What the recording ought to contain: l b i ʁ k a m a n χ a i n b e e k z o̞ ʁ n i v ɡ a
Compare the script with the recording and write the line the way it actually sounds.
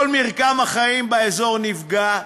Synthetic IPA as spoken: l m i ʁ k a m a χ a i m b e e z o̞ ʁ n i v ɡ a